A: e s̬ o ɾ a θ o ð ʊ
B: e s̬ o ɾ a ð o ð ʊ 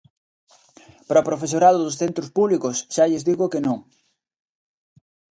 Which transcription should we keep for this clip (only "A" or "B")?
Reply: B